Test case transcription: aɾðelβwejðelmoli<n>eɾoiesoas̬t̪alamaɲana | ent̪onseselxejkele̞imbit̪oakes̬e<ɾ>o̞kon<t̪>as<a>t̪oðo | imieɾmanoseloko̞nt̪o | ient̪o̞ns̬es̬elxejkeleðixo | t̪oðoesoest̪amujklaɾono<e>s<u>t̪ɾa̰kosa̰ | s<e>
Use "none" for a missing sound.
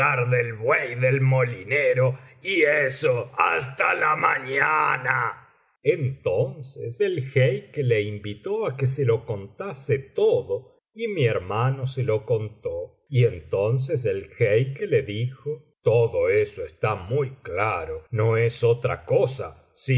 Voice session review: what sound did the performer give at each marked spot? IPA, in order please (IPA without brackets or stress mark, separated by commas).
n, l, t̪, e, e, o, i